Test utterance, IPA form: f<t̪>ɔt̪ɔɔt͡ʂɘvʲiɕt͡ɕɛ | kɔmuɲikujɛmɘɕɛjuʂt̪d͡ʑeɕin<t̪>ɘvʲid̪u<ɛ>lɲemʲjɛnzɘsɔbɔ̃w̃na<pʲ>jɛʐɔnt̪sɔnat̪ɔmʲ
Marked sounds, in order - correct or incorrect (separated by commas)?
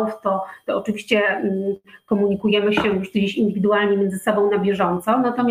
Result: correct, incorrect, incorrect, incorrect